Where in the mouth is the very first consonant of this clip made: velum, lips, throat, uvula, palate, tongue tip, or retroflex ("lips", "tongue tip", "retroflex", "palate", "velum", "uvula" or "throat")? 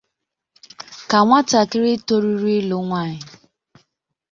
velum